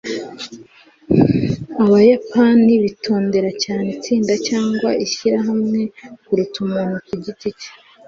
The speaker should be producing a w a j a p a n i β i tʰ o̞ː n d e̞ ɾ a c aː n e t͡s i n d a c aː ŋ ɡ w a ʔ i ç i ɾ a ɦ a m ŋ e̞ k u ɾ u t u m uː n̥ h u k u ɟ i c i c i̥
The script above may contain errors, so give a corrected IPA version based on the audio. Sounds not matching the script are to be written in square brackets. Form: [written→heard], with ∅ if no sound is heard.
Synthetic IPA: a [w→β] a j a p a n i β i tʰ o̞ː n d e̞ ɾ a c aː n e t͡s [i→iː] n d a c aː ŋ ɡ w a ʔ i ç i ɾ a ɦ a m ŋ e̞ k u ɾ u t u m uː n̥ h u k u ɟ i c i c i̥